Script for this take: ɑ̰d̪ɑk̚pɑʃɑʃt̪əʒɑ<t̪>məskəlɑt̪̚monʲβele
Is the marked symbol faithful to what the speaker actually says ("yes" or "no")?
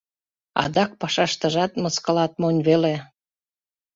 yes